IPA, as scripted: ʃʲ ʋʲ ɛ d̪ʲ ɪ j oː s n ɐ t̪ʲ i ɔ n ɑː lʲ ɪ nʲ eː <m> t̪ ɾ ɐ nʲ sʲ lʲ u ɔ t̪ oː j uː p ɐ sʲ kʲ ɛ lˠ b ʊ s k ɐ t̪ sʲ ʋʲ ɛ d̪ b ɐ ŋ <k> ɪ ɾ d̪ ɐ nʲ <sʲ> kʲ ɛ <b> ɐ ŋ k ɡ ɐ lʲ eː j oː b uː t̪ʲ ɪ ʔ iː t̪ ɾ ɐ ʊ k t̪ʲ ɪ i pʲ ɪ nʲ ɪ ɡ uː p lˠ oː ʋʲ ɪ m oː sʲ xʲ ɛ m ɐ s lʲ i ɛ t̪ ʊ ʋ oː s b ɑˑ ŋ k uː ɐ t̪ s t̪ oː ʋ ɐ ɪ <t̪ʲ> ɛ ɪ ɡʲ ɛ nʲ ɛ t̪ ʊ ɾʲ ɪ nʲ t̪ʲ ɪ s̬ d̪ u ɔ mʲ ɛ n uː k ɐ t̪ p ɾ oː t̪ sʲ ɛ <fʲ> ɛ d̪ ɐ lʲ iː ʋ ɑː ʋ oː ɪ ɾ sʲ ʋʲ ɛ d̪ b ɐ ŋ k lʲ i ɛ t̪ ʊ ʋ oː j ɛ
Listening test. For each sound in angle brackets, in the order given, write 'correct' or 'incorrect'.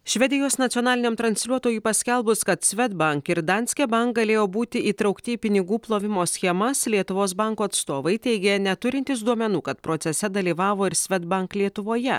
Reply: correct, correct, correct, correct, correct, incorrect: sʲ

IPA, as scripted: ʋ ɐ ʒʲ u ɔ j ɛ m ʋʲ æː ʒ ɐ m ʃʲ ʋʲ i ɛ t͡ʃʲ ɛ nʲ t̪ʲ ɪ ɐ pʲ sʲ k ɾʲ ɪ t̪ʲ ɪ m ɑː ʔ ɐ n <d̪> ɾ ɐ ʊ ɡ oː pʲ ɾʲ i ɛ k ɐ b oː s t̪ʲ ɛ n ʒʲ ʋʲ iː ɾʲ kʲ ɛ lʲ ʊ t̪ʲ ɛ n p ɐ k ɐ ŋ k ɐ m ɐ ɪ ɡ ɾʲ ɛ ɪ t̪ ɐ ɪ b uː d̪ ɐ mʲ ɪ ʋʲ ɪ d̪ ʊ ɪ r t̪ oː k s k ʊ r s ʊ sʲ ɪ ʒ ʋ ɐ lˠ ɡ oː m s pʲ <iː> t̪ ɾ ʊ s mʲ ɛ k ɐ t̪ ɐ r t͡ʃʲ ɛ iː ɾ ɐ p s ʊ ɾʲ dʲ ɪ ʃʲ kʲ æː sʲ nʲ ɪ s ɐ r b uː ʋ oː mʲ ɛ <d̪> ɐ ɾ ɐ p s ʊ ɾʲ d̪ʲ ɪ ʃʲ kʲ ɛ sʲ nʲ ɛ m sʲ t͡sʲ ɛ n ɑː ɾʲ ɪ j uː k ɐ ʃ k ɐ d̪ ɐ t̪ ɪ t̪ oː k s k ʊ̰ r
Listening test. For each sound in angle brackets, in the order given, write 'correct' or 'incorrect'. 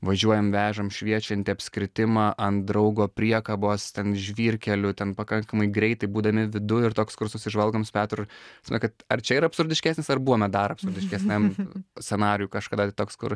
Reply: correct, incorrect: æː, correct

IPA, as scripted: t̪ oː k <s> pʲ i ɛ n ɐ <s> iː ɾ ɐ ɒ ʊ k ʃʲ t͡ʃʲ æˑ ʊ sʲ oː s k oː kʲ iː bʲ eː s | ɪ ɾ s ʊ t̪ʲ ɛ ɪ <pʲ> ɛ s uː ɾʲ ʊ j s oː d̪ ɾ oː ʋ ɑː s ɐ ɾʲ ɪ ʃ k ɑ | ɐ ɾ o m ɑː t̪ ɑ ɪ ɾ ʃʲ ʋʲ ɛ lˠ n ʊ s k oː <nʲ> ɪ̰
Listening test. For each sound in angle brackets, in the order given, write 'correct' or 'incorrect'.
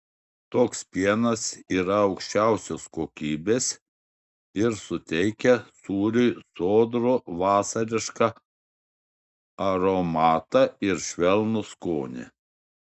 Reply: correct, correct, incorrect: kʲ, correct

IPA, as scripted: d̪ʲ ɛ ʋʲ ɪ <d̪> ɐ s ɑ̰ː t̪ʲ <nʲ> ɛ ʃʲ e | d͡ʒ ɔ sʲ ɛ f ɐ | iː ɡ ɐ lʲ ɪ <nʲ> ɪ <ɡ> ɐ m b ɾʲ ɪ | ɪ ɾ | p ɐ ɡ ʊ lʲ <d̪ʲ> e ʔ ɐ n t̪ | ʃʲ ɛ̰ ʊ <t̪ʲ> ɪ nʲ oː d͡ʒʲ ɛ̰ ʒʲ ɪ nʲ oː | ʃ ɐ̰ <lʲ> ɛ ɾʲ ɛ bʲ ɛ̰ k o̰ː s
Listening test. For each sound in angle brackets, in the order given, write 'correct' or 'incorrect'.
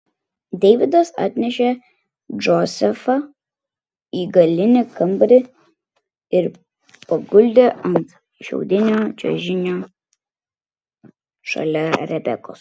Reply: correct, correct, correct, incorrect: k, correct, incorrect: d̪ʲ, correct

